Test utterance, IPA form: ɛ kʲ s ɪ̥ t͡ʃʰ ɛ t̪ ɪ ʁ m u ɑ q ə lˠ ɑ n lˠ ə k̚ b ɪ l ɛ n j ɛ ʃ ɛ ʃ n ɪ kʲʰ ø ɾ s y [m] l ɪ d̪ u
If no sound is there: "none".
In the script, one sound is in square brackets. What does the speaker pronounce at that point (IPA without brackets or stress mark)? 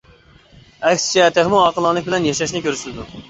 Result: none